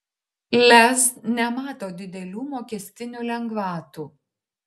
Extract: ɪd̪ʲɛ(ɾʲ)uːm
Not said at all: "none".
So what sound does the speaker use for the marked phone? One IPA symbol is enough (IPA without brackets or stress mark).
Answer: lʲ